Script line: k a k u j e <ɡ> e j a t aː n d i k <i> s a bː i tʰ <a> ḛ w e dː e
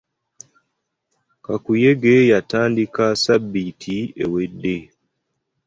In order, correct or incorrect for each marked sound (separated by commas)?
correct, incorrect, incorrect